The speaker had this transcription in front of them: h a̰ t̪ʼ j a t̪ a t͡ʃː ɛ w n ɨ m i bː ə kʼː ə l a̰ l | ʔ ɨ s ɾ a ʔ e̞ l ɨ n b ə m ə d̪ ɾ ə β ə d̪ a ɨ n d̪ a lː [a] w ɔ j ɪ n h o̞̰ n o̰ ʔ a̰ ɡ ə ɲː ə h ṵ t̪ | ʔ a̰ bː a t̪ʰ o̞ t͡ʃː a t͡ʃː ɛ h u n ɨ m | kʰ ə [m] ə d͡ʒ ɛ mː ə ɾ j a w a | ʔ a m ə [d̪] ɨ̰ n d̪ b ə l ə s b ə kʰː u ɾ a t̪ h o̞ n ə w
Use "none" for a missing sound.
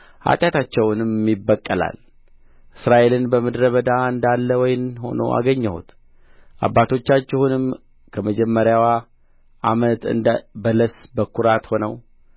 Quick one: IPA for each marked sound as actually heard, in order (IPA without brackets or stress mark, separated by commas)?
ə, m, t̪